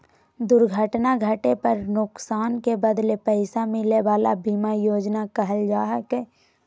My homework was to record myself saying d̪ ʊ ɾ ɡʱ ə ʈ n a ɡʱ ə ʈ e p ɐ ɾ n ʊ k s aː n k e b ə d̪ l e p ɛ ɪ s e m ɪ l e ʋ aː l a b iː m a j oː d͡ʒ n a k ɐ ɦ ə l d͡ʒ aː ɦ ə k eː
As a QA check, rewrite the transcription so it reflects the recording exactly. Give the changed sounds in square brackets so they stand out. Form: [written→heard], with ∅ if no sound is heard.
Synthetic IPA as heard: d̪ ʊ ɾ ɡʱ ə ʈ n a ɡʱ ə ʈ e p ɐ ɾ n ʊ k s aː n k e b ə d̪ l e p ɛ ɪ s [e→a] m ɪ l e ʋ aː l a b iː m a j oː d͡ʒ n a k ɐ ɦ ə l d͡ʒ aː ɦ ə k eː